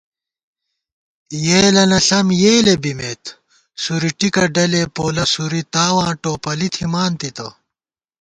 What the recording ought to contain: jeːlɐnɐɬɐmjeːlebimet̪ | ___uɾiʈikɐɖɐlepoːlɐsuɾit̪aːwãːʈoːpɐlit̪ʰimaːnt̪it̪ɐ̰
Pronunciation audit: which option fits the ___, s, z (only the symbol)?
s